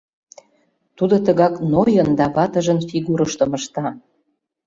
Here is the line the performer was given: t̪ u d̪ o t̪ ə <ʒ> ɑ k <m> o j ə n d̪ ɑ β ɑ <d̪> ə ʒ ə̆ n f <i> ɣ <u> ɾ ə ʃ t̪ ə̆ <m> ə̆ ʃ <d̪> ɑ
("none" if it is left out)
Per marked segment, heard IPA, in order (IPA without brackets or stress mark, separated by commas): ɣ, n, t̪, i, u, m, t̪